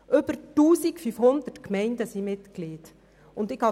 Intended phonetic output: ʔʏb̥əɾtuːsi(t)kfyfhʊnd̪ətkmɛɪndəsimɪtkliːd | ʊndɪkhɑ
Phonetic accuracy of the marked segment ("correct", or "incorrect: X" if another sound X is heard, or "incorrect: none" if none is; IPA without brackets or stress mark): incorrect: none